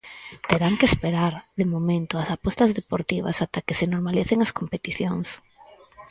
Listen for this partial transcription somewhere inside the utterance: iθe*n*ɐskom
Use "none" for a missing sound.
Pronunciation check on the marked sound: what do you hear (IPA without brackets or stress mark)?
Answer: ŋ